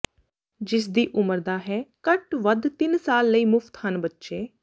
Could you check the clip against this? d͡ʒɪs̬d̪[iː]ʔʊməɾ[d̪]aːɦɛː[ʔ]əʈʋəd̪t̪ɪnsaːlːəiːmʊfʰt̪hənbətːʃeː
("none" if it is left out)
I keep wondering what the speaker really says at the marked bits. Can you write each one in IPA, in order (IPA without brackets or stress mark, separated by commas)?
iː, d̪, k